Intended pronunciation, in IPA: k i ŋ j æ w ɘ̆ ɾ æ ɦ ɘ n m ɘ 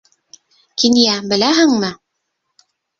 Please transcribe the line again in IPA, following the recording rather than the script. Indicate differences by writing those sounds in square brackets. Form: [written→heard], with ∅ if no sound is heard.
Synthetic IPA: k i [ŋ→n] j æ [w→b] ɘ̆ [ɾ→l] æ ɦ ɘ [n→ŋ] m ɘ